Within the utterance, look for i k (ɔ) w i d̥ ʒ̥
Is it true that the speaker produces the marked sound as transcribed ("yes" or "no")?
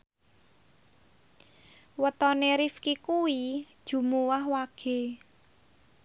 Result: no